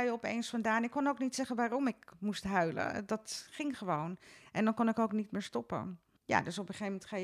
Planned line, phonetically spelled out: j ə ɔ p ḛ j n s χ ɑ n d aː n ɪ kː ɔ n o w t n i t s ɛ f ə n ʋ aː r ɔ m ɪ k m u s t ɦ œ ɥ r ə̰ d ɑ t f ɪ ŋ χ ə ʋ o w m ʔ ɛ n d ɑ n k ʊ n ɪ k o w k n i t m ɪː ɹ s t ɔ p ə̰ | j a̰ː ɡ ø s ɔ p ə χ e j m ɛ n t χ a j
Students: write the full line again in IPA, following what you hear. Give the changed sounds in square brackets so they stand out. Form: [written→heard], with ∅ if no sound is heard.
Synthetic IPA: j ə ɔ p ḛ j n s [χ→f] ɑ n d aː n ɪ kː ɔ n o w [t→k] n i t s ɛ [f→χ] ə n ʋ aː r ɔ m ɪ k m u s t ɦ œ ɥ [r→l] ə̰ d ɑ t [f→χ] ɪ ŋ χ ə ʋ o w [m→n] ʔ ɛ n d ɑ n k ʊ n ɪ k o w k n i t m ɪː ɹ s t ɔ p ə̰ | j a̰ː [ɡ→d] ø s ɔ p ə χ e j m ɛ n t χ a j